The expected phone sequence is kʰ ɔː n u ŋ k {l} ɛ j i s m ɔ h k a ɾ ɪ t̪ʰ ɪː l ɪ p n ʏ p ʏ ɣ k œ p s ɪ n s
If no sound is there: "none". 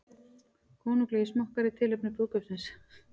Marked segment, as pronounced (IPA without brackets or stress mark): l